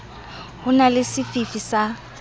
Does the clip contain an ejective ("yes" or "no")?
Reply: no